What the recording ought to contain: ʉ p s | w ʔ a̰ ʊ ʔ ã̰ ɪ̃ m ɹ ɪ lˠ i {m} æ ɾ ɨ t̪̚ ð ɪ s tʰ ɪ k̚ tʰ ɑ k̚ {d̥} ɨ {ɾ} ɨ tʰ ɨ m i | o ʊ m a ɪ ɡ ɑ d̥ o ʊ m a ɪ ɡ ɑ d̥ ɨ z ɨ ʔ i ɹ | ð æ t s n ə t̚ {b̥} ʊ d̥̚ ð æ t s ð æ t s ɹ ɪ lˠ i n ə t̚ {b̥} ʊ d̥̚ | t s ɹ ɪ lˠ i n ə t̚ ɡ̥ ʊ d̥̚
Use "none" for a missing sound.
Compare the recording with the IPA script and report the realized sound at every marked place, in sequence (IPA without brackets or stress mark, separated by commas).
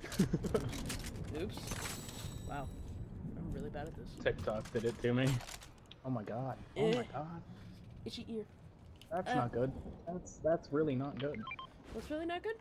b, d̥, ɾ, ɡ̥, ɡ̥